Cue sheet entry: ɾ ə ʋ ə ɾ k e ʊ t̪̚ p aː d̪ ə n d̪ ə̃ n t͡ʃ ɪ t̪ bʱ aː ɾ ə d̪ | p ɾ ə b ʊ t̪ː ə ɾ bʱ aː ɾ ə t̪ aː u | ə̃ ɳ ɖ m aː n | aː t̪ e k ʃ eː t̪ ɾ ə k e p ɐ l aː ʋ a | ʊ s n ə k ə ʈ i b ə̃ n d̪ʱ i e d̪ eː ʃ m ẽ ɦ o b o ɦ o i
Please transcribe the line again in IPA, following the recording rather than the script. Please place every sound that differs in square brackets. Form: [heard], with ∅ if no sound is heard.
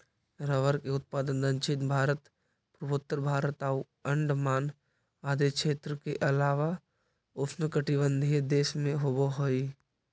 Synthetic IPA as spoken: ɾ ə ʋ ə ɾ k e ʊ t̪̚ p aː d̪ ə n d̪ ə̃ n t͡ʃ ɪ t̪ bʱ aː ɾ ə [t̪] | p ɾ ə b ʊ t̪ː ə ɾ bʱ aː ɾ ə t̪ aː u | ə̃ ɳ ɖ m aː n | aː [d̪] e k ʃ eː t̪ ɾ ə k e [ʔ] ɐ l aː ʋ a | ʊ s n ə k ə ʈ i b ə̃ n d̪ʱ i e d̪ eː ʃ m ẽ ɦ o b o ɦ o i